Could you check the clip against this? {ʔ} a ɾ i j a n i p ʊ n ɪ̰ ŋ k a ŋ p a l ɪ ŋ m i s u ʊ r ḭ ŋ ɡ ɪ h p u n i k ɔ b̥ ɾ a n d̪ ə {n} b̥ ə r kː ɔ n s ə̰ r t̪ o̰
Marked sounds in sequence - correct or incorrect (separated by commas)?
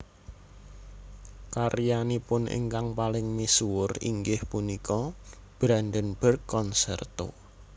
incorrect, correct